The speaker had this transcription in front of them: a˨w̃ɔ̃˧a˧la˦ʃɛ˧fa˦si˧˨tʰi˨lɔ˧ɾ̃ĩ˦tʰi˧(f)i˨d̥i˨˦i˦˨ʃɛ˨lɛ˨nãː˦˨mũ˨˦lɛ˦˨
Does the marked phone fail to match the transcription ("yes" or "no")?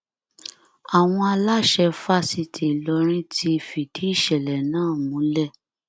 no